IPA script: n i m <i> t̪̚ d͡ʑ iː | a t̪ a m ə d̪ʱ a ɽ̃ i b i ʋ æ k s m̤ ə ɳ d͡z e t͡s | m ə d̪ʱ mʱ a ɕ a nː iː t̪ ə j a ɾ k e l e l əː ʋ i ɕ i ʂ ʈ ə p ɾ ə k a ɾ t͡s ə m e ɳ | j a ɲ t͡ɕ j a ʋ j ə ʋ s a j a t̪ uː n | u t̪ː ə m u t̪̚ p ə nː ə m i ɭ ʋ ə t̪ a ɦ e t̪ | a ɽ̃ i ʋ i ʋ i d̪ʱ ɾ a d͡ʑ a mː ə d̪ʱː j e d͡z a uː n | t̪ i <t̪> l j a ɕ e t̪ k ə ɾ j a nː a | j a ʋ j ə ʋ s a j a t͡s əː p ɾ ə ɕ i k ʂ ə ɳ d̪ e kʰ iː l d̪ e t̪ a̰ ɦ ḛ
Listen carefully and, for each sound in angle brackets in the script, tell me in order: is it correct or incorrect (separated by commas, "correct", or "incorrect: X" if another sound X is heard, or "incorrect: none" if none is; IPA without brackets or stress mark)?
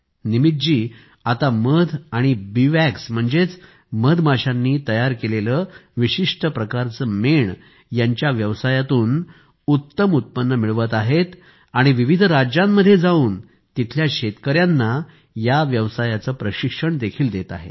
correct, incorrect: t̪ʰ